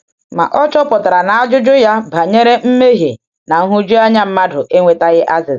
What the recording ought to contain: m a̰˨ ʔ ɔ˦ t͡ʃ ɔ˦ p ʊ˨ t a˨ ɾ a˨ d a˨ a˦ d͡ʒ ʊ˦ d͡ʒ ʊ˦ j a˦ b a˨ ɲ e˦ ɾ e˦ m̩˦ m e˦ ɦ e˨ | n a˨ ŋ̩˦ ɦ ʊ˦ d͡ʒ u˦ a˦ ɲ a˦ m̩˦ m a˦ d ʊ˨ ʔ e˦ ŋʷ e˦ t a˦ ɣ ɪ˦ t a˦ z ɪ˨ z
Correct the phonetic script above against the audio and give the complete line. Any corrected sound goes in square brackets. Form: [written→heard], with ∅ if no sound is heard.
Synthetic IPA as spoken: m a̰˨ ʔ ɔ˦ t͡ʃ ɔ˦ p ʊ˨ t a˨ ɾ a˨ [d→n] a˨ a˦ d͡ʒ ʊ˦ d͡ʒ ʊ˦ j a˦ b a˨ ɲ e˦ ɾ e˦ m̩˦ m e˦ ɦ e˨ | n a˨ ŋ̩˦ ɦ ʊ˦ d͡ʒ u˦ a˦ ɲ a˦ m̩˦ m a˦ d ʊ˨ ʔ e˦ ŋʷ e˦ t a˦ ɣ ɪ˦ [t→ʔ] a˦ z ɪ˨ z